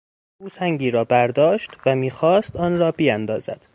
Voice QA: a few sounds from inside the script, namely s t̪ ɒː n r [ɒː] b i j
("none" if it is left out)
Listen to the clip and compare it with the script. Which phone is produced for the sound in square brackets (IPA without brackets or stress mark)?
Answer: ɒː